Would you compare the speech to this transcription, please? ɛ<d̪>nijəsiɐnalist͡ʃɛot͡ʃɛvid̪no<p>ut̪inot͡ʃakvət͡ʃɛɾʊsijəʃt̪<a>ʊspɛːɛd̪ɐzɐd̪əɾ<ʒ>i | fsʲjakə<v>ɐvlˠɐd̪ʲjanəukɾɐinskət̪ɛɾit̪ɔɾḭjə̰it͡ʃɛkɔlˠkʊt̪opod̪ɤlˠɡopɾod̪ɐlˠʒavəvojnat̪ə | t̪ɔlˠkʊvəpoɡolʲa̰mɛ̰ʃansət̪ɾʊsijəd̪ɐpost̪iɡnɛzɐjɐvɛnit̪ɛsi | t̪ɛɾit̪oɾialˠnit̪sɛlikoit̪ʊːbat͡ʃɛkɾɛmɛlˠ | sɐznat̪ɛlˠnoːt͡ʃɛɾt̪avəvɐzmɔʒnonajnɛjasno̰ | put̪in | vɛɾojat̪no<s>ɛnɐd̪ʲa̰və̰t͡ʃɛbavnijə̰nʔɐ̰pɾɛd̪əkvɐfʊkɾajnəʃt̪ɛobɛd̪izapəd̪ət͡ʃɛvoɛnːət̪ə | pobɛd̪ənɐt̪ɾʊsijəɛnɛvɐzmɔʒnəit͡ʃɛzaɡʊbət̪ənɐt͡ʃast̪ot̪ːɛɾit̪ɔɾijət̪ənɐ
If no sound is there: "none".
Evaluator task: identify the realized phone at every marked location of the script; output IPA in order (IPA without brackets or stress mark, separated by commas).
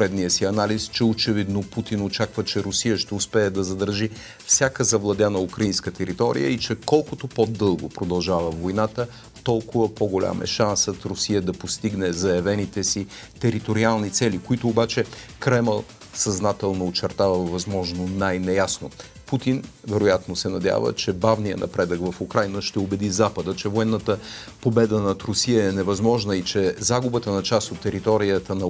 d̪, p, ɛ, ʒ, z, s